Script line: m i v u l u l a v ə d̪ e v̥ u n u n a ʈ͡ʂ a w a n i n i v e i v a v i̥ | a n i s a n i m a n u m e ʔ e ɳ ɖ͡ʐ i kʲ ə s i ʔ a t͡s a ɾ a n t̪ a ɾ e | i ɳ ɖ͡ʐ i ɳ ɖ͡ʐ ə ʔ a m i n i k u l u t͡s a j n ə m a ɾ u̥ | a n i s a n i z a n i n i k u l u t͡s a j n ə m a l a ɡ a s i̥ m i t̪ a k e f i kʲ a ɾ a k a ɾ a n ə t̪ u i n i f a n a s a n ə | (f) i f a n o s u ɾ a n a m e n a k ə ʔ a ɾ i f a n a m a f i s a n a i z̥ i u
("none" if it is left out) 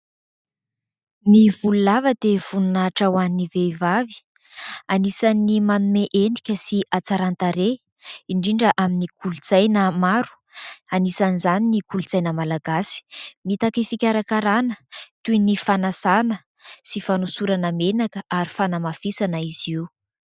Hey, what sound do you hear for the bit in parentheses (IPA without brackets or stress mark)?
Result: s